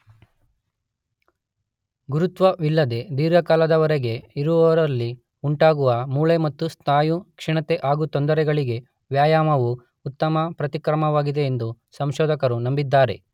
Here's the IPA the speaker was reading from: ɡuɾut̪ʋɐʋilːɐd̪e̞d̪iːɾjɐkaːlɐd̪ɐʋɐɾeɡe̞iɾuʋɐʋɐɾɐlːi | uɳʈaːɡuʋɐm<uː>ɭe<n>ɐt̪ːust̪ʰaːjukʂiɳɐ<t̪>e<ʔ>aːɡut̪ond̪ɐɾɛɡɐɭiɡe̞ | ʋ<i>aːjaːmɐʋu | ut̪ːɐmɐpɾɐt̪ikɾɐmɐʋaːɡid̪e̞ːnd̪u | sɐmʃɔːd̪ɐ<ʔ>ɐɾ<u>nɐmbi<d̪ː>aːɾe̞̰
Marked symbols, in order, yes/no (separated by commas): yes, no, yes, yes, no, no, yes, yes